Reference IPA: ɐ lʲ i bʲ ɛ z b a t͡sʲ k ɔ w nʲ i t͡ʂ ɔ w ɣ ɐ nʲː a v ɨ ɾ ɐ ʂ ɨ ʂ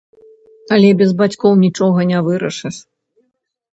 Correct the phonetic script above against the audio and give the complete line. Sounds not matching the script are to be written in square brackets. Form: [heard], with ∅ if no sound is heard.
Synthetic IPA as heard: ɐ lʲ [ɛ] bʲ ɛ z b a t͡sʲ k ɔ w nʲ i t͡ʂ ɔ [∅] ɣ ɐ [nʲ] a v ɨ ɾ ɐ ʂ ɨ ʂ